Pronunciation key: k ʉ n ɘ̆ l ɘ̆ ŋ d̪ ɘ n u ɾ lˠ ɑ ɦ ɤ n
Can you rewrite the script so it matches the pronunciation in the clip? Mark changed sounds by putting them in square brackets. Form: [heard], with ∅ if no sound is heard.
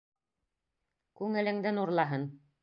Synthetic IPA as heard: k ʉ [ŋ] ɘ̆ l ɘ̆ ŋ d̪ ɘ n u ɾ lˠ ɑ ɦ ɤ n